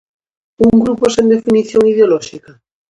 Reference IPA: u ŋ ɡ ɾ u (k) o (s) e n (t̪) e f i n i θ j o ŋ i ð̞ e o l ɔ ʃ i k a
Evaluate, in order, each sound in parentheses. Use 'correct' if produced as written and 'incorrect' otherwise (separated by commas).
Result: incorrect, correct, incorrect